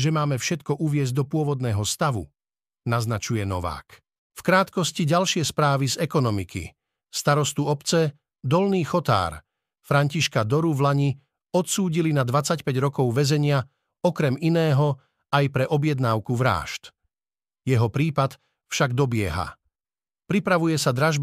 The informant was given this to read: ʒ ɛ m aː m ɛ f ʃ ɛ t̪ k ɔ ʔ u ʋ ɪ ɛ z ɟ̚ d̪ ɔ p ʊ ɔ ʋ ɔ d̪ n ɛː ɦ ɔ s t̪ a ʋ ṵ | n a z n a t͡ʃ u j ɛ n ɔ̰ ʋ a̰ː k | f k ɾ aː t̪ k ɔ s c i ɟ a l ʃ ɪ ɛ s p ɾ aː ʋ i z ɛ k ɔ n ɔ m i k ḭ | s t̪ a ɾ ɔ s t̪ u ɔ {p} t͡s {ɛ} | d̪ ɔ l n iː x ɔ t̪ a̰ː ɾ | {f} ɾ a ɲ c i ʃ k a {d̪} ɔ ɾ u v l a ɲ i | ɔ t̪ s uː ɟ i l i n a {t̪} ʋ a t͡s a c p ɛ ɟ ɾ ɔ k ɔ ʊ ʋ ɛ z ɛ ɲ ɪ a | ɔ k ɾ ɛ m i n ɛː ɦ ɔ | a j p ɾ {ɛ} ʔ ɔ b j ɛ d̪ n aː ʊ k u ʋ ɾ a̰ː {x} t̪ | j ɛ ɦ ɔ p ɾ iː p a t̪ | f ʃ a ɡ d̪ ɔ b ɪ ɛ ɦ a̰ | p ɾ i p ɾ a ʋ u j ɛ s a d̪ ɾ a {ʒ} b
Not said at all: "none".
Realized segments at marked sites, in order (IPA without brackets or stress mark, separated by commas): p, ɛ, f, d̪, d̪, ɛ, ʃ, ʒ